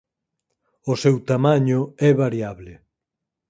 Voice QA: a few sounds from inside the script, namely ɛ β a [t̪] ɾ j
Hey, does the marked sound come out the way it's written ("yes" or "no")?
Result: no